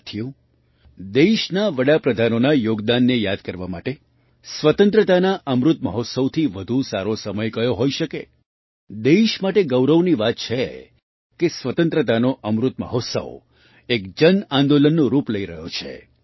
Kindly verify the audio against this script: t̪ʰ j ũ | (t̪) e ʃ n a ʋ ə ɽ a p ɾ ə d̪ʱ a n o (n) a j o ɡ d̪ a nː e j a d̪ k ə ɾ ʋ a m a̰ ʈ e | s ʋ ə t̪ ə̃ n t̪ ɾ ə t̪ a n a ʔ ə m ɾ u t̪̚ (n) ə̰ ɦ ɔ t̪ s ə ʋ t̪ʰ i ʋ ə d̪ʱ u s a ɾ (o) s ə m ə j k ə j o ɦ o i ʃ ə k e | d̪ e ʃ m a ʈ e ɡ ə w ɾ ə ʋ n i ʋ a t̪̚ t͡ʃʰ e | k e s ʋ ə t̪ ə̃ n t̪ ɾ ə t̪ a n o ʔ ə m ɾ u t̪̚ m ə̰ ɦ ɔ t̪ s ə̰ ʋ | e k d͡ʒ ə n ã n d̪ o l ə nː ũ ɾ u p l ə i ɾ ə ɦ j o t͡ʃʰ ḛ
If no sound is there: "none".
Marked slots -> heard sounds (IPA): d̪, n, m, o

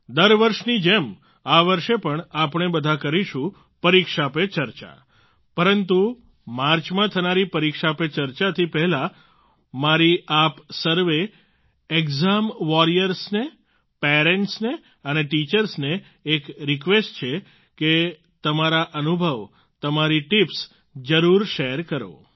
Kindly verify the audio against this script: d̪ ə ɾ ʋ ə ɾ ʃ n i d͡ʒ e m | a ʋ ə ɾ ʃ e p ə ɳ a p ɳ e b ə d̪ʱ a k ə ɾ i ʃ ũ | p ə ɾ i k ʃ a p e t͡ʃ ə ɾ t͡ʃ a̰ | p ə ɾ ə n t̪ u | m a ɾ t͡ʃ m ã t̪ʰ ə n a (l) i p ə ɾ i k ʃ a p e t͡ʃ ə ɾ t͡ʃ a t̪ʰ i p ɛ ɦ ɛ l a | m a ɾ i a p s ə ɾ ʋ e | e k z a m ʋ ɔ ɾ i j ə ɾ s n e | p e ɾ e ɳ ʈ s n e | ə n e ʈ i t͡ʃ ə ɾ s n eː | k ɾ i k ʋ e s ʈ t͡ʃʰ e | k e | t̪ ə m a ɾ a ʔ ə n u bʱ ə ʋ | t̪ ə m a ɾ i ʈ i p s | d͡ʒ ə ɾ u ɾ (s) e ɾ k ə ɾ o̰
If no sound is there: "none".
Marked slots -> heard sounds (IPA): ɾ, ʃ

